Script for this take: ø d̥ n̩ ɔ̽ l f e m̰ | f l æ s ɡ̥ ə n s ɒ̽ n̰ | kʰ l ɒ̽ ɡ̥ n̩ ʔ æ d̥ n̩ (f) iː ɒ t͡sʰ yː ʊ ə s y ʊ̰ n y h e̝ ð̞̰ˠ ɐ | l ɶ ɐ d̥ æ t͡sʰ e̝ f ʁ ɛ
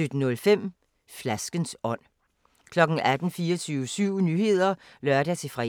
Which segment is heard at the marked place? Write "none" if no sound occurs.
f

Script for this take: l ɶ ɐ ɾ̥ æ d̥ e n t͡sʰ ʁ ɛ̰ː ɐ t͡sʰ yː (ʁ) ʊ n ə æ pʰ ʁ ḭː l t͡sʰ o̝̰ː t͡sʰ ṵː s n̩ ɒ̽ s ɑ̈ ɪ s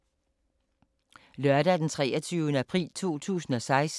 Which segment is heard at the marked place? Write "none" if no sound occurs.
none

